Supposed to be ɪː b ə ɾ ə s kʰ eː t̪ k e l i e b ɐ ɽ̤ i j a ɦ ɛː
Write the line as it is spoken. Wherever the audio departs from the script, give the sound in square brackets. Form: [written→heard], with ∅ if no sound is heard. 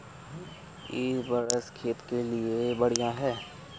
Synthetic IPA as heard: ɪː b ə ɾ ə s kʰ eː t̪ k e l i e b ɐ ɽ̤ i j a ɦ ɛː